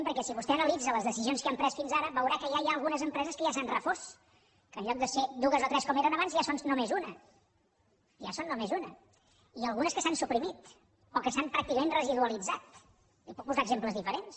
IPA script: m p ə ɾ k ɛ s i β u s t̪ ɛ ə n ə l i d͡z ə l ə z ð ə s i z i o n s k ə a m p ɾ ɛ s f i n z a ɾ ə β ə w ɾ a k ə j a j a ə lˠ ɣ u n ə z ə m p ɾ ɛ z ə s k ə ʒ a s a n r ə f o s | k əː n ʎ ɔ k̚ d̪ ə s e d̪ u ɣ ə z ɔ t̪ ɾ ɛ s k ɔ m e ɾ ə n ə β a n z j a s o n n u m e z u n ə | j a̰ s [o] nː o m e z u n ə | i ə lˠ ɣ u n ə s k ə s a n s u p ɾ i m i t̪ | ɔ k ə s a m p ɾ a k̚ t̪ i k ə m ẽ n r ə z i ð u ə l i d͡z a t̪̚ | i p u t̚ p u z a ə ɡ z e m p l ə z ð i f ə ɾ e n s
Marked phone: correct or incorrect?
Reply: correct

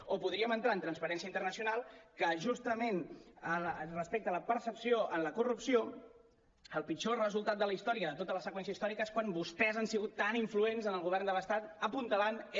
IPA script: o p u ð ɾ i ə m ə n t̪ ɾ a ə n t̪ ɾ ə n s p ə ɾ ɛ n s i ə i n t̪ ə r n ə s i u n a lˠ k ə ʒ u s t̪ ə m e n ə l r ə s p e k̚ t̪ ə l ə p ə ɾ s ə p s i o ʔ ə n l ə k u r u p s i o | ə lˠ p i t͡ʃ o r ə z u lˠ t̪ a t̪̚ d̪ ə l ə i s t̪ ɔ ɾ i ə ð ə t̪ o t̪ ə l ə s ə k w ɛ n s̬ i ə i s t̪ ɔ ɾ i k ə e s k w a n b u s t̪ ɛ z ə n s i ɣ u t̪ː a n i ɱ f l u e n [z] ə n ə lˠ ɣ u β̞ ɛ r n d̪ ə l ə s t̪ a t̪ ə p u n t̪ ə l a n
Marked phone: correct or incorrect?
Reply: correct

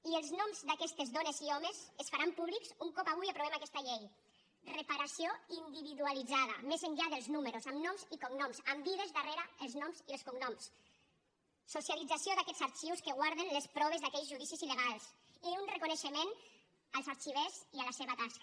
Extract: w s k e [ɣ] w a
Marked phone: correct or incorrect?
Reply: correct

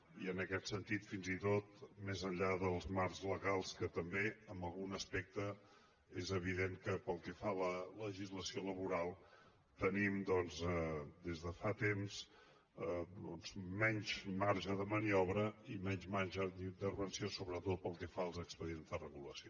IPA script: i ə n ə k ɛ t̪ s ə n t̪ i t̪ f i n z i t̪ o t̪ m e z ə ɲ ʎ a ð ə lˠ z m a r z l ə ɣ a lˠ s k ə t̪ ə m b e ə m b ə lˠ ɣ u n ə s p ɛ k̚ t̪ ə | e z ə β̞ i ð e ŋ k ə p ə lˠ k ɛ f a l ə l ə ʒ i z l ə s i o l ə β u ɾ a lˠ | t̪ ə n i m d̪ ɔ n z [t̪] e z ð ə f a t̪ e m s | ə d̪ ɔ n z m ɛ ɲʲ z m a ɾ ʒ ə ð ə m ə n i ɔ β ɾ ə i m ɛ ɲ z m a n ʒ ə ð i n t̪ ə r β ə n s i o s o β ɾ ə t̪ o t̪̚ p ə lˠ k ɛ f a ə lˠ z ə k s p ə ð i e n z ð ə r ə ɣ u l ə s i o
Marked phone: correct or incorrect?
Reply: incorrect: d̪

